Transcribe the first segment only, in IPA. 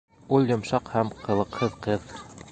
u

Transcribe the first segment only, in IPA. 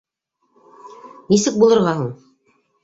n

